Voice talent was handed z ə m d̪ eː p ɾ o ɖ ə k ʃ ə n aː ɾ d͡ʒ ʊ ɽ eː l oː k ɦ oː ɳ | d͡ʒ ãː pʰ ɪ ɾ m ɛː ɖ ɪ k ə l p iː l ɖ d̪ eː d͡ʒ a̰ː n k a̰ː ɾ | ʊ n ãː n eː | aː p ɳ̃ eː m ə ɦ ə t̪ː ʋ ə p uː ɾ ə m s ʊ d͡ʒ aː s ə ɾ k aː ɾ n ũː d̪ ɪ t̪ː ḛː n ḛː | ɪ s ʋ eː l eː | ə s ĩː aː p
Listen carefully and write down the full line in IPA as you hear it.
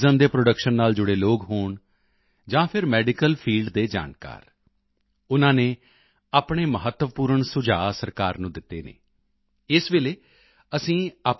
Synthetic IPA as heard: z ə m d̪ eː p ɾ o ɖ ə k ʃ ə nː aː l d͡ʒ ʊ ɽ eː l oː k ɦ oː ɳ | d͡ʒ ãː pʰ ɪ ɾ m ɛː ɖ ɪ k ə l pʰ iː l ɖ d̪ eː d͡ʒ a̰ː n k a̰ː ɾ | ʊ n ãː n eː | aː p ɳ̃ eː m ə ɦ ə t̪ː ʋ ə p uː ɾ ə ɳ s ʊ d͡ʒ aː s ə ɾ k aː ɾ n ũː d̪ ɪ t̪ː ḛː n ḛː | ɪ s ʋ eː l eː | ə s ĩː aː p